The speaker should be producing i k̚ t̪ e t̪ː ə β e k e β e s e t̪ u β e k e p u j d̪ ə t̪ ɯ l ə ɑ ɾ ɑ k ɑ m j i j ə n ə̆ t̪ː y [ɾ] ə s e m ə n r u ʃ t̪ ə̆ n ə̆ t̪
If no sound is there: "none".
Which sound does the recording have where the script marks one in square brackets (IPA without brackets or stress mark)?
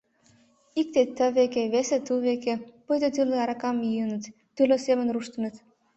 l